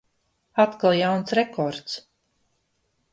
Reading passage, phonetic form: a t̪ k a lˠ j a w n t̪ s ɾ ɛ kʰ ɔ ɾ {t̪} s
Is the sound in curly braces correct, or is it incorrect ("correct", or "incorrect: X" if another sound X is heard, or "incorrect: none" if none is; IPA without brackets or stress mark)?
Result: correct